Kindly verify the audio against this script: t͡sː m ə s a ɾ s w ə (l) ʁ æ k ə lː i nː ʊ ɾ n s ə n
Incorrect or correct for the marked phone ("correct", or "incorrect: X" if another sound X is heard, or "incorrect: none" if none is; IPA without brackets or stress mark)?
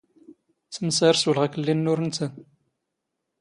correct